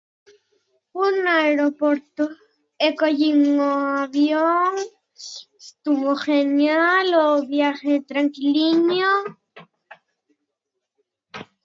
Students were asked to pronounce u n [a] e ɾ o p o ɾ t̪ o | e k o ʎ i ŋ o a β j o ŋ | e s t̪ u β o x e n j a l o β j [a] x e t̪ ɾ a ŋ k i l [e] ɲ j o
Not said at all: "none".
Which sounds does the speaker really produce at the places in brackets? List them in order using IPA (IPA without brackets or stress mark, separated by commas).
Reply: a, a, i